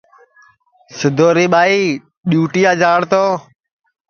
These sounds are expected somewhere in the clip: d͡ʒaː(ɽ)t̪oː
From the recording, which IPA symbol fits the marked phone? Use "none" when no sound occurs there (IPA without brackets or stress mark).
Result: ɽ